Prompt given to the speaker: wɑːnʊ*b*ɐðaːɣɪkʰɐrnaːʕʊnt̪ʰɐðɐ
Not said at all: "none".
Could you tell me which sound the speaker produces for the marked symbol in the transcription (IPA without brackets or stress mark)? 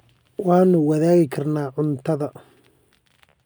w